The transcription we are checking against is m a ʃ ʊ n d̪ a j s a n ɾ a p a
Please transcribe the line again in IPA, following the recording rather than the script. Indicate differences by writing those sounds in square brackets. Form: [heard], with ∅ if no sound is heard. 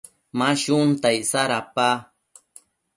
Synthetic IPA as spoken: m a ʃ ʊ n [t̪] a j s a [∅] ɾ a p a